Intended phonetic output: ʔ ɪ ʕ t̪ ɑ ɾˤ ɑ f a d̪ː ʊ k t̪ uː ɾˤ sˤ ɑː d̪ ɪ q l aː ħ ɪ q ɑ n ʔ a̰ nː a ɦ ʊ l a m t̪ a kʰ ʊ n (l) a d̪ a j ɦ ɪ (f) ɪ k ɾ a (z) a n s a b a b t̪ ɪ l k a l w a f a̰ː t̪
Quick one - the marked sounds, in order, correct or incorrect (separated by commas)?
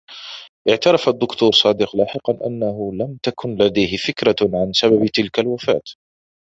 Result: correct, correct, incorrect